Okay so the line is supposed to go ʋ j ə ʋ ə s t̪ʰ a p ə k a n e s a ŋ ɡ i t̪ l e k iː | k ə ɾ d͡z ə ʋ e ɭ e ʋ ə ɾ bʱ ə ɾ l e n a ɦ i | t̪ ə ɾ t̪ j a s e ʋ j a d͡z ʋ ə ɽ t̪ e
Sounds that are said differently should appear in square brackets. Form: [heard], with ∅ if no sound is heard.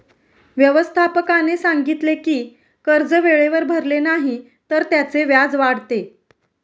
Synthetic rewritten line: ʋ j ə ʋ ə s t̪ʰ a p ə k a n e s a ŋ ɡ i t̪ l e k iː | k ə ɾ d͡z ə ʋ e ɭ e ʋ ə ɾ bʱ ə ɾ l e n a ɦ i | t̪ ə ɾ t̪ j a [t͡s] e ʋ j a d͡z ʋ [a] ɽ t̪ e